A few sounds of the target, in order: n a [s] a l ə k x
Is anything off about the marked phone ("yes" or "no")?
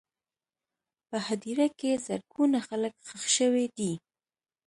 yes